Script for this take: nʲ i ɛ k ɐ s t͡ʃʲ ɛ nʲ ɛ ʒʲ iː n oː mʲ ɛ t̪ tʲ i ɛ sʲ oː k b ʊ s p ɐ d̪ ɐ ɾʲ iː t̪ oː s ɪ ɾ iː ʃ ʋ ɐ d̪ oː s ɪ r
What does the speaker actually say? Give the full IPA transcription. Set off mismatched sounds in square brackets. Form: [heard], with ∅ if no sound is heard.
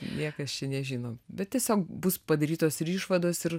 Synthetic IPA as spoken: nʲ i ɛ k ɐ s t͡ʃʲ ɛ nʲ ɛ ʒʲ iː n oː [bʲ] ɛ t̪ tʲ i ɛ sʲ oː k b ʊ s p ɐ d̪ ɐ ɾʲ iː t̪ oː s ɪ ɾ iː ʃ ʋ ɐ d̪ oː s ɪ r